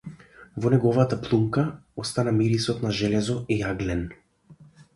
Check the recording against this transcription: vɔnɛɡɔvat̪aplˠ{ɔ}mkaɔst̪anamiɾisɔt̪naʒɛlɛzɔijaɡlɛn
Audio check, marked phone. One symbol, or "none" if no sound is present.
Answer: u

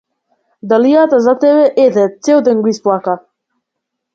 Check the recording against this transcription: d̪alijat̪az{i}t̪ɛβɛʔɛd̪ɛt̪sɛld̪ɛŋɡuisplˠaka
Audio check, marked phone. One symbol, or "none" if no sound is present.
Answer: a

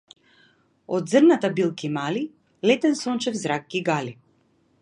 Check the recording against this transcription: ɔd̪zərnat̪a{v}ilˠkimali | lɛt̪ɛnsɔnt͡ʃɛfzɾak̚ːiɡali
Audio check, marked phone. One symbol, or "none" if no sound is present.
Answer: b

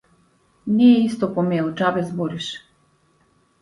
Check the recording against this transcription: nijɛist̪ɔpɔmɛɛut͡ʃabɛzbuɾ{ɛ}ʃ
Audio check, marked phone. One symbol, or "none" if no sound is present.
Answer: i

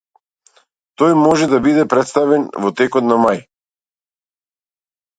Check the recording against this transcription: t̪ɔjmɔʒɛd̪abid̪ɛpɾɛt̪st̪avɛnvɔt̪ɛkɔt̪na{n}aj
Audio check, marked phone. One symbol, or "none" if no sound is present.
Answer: m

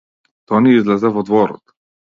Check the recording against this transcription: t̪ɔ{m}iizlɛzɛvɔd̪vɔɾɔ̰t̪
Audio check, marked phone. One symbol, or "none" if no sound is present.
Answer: n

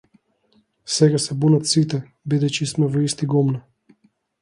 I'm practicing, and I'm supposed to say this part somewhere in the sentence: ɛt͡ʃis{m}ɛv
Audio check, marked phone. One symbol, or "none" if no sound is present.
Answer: m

